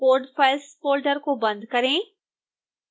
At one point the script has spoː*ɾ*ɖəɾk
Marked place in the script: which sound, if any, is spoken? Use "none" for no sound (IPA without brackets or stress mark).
l